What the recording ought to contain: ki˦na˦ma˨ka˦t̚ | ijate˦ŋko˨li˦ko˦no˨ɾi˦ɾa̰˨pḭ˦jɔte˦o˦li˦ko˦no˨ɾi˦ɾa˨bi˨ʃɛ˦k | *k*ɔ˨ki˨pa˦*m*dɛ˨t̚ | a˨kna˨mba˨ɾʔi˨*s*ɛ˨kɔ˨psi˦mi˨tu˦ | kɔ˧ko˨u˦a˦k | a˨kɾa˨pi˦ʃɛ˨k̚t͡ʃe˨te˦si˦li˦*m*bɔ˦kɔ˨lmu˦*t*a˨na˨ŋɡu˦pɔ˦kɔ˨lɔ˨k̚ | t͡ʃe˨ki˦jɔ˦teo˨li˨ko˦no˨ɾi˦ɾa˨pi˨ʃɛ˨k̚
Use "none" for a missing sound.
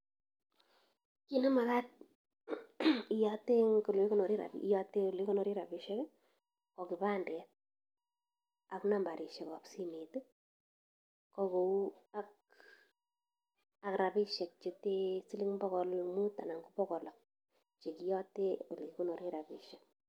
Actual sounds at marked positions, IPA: k, n, ʃ, ŋ, t

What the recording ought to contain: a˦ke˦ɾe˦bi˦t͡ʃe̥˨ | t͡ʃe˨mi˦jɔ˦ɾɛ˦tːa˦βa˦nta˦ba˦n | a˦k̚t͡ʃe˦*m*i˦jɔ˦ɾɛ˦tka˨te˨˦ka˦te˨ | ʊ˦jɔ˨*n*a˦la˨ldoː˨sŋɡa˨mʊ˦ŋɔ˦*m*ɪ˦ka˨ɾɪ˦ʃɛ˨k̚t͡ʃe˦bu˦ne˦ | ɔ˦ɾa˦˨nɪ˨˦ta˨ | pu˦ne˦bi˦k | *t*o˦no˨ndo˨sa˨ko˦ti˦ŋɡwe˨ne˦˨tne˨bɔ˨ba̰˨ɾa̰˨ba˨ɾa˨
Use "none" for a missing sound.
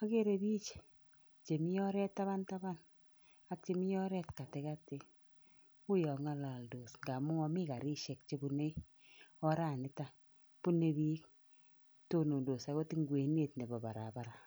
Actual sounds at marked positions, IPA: m, ŋ, m, t

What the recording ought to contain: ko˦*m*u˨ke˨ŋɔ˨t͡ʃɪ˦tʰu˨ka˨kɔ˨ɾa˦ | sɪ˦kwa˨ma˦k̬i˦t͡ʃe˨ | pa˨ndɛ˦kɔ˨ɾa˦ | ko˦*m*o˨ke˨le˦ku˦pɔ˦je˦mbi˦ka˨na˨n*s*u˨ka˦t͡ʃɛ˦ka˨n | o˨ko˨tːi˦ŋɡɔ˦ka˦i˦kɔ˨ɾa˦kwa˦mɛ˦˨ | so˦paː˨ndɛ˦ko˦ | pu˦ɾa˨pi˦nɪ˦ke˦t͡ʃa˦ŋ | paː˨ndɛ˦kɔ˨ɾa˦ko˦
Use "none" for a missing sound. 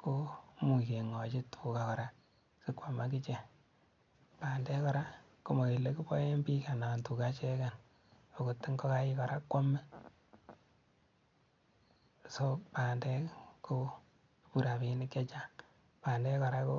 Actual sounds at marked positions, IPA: m, m, t

